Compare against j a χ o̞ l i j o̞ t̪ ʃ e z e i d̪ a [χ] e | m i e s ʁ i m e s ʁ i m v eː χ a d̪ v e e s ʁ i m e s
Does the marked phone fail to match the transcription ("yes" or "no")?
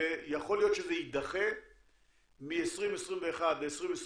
no